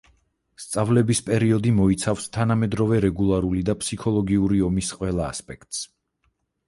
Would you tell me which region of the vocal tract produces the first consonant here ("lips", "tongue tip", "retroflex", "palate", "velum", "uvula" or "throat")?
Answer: tongue tip